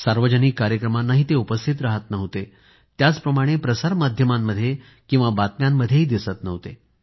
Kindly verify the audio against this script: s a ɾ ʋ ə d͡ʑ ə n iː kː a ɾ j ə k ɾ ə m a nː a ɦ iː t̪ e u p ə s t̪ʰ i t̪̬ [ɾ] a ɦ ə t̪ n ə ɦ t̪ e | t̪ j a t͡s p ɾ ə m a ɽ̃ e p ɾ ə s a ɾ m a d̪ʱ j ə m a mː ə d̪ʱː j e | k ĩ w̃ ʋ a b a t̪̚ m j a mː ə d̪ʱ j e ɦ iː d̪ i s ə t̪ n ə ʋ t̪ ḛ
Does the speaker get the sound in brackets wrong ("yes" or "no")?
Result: no